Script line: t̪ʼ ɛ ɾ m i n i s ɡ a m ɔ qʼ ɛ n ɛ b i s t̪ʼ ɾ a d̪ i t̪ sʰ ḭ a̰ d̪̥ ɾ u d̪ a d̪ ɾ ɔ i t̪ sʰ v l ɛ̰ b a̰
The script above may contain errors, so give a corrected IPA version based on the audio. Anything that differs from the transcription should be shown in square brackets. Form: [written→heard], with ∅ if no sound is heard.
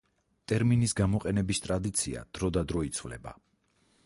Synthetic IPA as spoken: t̪ʼ ɛ ɾ m i n i s ɡ a m ɔ qʼ ɛ n ɛ b i s t̪ʼ ɾ a d̪ i t̪ sʰ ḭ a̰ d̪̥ ɾ [u→ɔ] d̪ a d̪ ɾ ɔ i t̪ sʰ v l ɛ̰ b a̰